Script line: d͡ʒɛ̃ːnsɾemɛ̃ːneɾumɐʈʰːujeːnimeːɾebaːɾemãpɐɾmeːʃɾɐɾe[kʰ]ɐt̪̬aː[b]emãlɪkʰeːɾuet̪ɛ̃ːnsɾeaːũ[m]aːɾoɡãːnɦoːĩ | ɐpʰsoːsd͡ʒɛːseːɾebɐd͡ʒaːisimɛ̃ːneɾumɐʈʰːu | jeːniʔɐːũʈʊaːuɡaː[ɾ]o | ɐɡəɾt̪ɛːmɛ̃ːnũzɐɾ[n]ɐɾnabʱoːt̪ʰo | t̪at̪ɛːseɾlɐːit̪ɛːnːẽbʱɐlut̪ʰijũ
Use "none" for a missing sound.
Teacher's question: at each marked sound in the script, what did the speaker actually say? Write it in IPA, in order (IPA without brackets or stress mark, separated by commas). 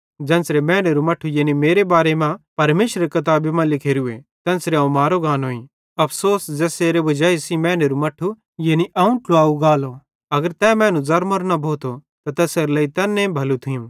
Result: k, b, m, l, m